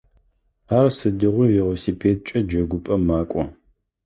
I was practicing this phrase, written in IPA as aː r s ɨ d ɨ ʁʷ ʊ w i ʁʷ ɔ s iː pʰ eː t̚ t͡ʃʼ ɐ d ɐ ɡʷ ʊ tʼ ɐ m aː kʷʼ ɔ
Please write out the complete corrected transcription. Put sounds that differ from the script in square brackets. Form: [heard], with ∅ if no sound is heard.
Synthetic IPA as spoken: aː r s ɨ d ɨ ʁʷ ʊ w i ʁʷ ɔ s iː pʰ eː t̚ t͡ʃʼ ɐ [d͡ʒ] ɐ ɡʷ ʊ [pʼ] ɐ m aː kʷʼ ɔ